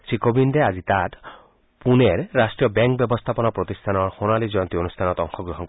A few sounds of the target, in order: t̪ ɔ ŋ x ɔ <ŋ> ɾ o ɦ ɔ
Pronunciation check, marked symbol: incorrect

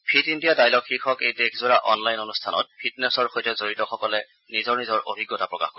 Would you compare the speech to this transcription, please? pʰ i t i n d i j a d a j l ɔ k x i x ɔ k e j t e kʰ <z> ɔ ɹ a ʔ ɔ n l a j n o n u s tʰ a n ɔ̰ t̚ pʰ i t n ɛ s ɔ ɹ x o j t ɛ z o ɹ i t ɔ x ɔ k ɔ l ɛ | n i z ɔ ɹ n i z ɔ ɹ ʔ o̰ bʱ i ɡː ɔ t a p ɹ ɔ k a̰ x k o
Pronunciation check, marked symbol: correct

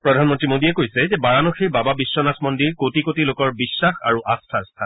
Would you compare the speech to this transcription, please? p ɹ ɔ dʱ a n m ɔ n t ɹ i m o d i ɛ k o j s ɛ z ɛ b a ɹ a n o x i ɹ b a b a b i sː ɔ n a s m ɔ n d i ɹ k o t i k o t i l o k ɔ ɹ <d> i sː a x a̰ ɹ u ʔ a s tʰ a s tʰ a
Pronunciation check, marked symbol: incorrect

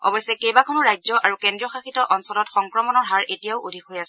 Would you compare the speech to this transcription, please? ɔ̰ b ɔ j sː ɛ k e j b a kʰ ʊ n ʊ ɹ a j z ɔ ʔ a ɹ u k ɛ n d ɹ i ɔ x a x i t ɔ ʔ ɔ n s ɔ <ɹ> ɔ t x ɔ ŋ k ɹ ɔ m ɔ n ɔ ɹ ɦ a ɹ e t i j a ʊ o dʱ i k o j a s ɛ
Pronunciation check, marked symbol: incorrect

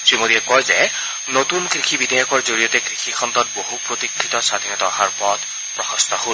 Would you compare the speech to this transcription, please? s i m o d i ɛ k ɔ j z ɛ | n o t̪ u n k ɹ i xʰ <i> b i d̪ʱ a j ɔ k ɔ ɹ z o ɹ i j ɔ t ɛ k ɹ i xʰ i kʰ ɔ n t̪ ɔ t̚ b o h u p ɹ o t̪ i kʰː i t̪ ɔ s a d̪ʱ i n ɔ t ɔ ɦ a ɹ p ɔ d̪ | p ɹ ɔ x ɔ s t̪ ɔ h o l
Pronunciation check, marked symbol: correct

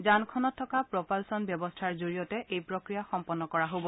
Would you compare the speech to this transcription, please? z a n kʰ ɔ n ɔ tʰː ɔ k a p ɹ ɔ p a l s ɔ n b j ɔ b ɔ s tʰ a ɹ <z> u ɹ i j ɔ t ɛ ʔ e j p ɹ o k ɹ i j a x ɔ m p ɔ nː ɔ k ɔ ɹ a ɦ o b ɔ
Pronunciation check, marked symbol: correct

